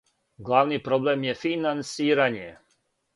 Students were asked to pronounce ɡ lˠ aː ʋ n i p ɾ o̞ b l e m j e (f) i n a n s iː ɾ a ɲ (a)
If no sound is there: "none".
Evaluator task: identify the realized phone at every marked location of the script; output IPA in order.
f, e

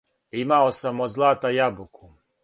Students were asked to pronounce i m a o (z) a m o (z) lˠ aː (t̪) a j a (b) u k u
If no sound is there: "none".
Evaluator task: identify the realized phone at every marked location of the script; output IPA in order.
s, z, t̪, b

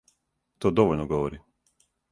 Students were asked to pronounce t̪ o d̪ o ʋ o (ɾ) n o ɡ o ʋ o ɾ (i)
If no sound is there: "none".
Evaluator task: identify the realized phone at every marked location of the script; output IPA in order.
ʎ, i

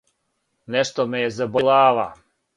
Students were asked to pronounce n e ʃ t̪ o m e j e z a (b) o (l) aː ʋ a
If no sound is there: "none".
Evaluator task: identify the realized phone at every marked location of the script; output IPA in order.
b, l

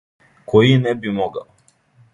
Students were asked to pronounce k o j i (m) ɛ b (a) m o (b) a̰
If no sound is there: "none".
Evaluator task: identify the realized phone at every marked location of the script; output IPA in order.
n, i, ɡ

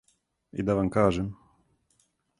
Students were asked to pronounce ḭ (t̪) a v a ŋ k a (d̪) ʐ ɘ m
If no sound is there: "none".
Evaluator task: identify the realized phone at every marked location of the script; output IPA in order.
d̪, none

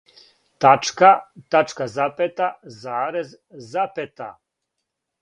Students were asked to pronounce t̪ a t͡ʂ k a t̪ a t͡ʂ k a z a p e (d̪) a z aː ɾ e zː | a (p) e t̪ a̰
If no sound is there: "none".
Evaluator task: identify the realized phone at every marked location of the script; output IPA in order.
t̪, p

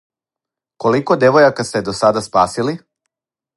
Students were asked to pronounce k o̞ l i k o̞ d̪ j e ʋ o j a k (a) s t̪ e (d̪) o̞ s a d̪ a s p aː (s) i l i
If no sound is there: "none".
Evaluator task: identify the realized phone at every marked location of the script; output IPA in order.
a, d̪, s

